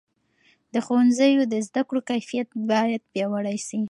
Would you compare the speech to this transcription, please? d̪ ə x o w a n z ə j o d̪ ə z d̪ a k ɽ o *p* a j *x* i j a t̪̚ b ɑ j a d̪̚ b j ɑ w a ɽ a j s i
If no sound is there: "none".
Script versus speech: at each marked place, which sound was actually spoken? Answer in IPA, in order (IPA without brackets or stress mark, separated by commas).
k, f